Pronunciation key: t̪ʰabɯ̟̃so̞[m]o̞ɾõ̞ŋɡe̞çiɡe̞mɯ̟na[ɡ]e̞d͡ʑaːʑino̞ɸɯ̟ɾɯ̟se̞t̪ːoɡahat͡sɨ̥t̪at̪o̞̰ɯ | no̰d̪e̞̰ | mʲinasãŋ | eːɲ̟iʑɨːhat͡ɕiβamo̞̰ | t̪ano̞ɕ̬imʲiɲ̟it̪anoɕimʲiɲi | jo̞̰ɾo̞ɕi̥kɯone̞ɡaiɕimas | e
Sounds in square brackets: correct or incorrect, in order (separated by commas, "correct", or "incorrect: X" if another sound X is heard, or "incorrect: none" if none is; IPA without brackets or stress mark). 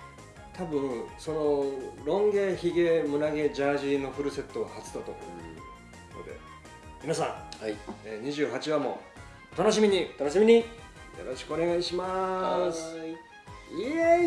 incorrect: n, correct